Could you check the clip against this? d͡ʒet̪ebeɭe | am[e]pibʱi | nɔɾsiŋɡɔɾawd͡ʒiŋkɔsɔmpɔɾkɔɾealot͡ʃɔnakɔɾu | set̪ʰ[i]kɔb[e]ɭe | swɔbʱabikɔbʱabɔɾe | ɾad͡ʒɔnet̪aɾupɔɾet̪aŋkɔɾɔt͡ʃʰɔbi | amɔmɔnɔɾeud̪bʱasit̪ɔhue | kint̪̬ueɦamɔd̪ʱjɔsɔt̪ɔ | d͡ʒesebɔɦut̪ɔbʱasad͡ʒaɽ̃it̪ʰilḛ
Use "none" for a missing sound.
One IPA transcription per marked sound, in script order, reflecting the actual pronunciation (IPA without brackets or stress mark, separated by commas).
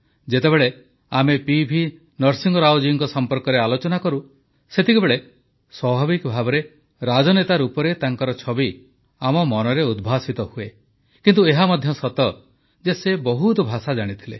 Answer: e, i, e